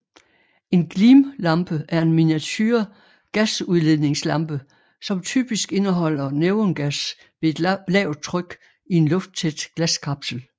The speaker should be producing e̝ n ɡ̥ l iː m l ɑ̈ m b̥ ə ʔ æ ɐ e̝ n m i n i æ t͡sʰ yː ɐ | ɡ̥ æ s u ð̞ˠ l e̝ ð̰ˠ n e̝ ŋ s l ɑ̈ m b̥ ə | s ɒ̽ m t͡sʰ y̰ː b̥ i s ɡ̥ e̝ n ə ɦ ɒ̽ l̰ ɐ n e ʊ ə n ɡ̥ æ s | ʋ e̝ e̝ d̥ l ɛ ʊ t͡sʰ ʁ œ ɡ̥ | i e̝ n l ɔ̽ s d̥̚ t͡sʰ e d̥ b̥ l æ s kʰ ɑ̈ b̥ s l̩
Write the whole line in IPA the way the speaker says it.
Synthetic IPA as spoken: e̝ n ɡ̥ l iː m l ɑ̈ m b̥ ə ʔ æ ɐ e̝ n m i n i æ t͡sʰ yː ɐ | ɡ̥ æ s u ð̞ˠ l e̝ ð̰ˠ n e̝ ŋ s l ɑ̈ m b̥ ə | s ɒ̽ m t͡sʰ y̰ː b̥ i s ɡ̥ e̝ n ə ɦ ɒ̽ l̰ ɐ n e ʊ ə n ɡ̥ æ s | ʋ e̝ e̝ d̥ l ɛ ʊ t͡sʰ ʁ œ ɡ̥ | i e̝ n l ɔ̽ f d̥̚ t͡sʰ e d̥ ɡ̥ l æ s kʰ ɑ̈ b̥ s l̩